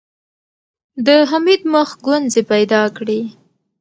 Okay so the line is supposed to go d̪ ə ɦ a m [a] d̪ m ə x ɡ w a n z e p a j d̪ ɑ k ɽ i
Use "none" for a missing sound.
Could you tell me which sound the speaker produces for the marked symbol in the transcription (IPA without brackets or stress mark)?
i